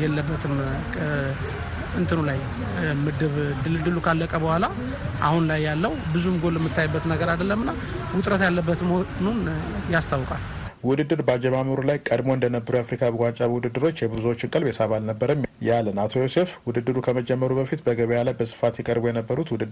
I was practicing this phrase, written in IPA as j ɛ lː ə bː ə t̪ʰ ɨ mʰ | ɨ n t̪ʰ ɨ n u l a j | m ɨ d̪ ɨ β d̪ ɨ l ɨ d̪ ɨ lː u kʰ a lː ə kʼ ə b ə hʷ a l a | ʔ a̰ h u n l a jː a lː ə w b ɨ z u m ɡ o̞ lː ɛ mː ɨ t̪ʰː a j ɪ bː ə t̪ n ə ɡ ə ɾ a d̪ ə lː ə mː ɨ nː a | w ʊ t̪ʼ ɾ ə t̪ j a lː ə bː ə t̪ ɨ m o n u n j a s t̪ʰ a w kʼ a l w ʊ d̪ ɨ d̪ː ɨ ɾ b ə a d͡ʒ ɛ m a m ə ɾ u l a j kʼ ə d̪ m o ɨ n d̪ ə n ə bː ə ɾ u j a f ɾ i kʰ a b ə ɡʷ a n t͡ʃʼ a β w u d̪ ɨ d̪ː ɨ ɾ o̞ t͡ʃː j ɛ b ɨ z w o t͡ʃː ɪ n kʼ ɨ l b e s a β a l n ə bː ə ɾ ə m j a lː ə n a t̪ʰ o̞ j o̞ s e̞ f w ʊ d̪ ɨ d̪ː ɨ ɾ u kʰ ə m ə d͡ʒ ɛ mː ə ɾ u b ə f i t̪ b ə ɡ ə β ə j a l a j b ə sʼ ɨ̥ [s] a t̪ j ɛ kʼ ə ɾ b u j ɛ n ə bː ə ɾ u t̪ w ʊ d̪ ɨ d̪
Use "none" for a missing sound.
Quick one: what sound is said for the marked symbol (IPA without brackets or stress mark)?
f